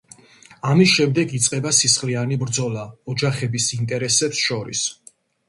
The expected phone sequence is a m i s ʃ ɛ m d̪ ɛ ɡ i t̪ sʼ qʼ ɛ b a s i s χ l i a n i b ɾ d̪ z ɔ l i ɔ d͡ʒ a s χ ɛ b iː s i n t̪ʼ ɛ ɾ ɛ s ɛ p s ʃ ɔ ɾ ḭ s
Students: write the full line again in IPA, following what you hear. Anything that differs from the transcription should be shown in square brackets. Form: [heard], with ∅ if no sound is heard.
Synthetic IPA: a m i s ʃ ɛ m d̪ ɛ ɡ i t̪ sʼ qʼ ɛ b a s i s χ l i a n i b ɾ d̪ z ɔ l [a] ɔ d͡ʒ a [∅] χ ɛ b [i] s i n t̪ʼ ɛ ɾ ɛ s ɛ p s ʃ ɔ ɾ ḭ s